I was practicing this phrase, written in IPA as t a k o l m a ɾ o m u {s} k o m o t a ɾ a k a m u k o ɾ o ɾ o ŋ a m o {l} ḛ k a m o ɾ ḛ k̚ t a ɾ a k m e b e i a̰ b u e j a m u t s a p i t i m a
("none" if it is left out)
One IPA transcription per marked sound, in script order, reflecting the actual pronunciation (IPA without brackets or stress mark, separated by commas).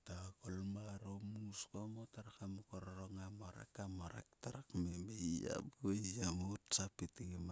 s, ɾ